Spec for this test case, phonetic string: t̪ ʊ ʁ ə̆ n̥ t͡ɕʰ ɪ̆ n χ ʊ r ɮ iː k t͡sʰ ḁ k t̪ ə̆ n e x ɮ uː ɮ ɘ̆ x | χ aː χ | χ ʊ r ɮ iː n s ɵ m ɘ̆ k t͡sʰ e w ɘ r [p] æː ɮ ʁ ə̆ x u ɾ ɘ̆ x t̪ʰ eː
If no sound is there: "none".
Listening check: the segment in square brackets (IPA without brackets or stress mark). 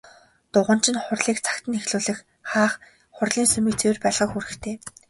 p